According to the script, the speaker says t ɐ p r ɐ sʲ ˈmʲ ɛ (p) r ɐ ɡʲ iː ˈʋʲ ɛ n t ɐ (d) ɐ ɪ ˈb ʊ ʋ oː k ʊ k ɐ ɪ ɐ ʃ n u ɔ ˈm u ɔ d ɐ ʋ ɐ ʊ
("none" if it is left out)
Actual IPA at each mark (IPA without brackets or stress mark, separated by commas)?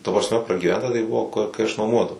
p, t